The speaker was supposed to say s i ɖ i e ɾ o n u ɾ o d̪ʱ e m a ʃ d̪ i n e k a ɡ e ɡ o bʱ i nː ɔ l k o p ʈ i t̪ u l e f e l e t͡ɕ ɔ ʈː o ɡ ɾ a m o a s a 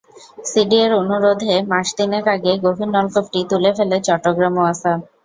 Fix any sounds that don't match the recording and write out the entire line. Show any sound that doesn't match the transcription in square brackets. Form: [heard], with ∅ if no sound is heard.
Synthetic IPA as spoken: s i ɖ i e ɾ o n u ɾ o d̪ʱ e m a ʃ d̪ i n e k a ɡ e ɡ o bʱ i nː ɔ l k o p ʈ i t̪ u l e f e l e t͡ɕ ɔ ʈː o ɡ ɾ a m o a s a